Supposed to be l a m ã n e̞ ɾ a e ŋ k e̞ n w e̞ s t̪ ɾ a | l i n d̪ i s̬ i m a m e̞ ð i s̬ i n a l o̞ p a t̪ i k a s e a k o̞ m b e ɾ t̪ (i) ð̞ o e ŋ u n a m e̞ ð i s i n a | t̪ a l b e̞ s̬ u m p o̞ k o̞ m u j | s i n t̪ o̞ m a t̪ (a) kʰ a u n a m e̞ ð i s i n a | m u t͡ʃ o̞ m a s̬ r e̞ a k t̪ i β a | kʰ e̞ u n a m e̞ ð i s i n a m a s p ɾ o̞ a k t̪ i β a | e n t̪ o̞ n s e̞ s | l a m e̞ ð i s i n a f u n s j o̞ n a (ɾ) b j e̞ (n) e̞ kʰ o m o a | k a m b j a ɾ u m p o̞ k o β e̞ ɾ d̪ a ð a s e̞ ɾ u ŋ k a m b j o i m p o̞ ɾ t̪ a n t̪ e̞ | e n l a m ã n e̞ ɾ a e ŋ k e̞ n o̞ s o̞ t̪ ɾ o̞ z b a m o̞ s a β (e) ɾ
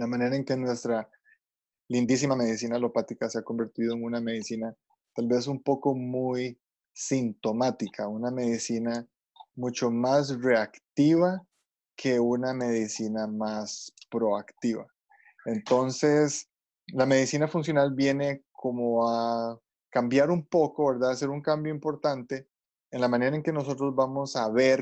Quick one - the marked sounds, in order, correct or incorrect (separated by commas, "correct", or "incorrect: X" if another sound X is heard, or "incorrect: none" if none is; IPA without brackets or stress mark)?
correct, incorrect: i, incorrect: l, correct, correct